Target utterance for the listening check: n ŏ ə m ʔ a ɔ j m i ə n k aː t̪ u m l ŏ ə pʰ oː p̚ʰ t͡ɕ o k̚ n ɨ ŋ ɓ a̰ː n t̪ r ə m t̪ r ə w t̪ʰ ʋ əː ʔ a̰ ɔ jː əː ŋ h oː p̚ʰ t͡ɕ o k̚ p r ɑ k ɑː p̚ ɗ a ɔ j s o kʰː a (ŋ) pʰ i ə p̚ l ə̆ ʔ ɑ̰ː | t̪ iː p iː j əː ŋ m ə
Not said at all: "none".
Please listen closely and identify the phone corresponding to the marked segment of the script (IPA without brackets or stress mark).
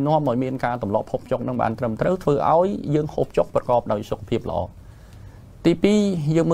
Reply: none